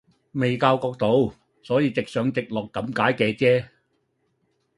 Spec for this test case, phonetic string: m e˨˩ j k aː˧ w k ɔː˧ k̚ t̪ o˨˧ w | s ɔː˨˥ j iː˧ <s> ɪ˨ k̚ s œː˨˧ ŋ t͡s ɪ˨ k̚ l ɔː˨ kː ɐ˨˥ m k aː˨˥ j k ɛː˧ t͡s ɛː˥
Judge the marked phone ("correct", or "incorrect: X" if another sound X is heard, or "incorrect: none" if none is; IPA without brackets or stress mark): incorrect: t͡s